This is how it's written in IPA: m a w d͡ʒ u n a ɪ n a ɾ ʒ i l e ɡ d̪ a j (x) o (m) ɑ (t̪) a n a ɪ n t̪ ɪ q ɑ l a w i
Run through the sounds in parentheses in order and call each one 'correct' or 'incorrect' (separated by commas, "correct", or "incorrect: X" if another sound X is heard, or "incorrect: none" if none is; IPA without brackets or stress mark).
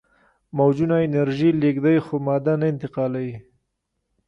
correct, correct, incorrect: d̪